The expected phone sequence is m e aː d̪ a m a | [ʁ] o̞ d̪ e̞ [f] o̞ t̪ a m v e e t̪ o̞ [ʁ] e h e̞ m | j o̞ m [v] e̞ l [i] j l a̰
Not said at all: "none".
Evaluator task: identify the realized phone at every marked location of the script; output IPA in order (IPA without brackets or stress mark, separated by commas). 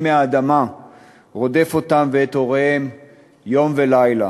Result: ʁ, f, ʁ, v, a